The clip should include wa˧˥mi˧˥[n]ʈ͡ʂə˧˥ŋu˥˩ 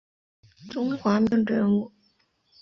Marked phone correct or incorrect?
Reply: incorrect